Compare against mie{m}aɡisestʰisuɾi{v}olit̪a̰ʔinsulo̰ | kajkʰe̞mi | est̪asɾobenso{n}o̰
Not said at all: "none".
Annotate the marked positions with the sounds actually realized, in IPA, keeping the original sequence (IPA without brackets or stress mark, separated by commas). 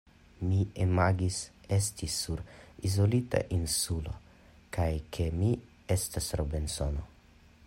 m, z, n